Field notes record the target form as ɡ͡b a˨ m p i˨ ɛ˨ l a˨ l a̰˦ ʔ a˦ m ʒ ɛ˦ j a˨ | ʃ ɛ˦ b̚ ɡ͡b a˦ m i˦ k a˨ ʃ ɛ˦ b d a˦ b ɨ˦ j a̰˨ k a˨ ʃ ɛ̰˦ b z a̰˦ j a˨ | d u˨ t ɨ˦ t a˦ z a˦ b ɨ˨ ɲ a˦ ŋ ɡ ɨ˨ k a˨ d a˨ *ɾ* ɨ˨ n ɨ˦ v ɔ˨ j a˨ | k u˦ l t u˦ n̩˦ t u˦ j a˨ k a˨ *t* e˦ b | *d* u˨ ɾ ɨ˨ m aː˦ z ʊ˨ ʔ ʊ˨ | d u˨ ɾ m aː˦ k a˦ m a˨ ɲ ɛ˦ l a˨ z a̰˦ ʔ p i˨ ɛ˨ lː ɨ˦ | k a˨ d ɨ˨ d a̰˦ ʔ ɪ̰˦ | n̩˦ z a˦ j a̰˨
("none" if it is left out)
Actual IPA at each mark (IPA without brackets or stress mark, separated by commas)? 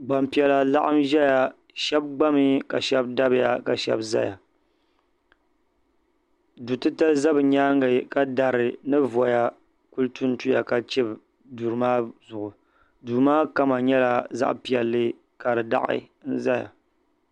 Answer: ɾ, t͡ʃ, d